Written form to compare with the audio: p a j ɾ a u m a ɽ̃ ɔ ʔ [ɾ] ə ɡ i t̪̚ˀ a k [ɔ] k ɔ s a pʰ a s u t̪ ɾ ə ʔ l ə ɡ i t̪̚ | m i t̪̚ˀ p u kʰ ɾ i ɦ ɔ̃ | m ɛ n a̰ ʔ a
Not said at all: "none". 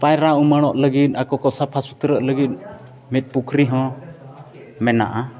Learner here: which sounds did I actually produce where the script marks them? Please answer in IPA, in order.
l, ɔ

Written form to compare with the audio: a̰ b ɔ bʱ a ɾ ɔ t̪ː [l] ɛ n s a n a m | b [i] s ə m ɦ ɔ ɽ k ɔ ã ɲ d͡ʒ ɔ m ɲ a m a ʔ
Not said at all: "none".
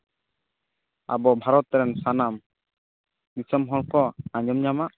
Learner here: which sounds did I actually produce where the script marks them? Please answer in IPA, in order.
ɾ, i

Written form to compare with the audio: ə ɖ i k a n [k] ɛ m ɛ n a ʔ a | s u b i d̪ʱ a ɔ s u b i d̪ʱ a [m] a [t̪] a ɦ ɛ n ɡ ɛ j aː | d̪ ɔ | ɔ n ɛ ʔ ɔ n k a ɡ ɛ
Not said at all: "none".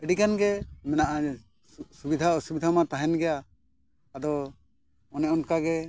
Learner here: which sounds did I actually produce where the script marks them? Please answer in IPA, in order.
ɡ, m, t̪

